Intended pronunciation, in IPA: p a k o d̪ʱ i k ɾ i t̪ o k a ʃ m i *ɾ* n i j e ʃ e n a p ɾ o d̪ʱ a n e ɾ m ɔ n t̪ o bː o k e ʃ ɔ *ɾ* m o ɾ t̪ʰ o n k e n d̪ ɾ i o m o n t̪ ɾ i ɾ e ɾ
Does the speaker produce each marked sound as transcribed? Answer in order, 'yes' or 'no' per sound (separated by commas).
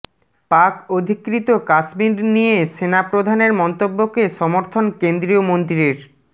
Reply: yes, no